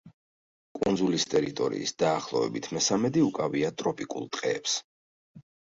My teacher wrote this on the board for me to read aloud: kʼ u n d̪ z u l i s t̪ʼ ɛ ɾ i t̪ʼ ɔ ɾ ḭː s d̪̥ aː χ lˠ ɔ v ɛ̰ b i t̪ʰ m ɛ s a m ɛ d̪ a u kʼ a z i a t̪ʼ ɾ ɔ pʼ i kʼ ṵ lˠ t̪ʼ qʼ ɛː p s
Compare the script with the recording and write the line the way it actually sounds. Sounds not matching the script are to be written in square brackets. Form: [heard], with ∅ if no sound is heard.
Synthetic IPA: kʼ u n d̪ z u l i s t̪ʼ ɛ ɾ i t̪ʼ ɔ ɾ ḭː s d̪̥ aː χ lˠ ɔ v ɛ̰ b i t̪ʰ m ɛ s a m ɛ d̪ [i] u kʼ a [v] i a t̪ʼ ɾ ɔ pʼ i kʼ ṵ lˠ t̪ʼ qʼ ɛː p s